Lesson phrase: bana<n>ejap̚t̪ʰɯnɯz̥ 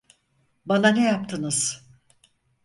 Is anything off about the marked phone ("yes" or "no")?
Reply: no